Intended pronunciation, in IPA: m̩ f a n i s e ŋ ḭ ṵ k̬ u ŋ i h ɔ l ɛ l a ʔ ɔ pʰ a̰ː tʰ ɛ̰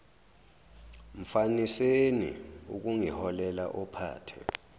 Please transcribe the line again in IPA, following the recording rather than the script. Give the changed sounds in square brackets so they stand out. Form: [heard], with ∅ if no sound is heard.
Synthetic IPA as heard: m̩ f a n i s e [n] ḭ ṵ k̬ u ŋ i h ɔ l ɛ l a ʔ ɔ pʰ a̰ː tʰ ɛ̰